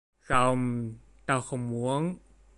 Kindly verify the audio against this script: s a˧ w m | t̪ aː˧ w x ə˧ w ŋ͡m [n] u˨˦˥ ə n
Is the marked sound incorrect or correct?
incorrect